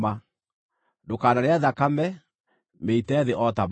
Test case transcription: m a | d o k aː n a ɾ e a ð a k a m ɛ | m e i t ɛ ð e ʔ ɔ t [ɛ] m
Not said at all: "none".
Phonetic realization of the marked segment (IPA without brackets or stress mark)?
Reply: a